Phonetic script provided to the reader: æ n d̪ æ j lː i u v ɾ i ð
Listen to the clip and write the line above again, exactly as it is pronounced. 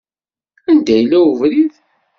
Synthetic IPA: æ n d̪ æ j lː æ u v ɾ i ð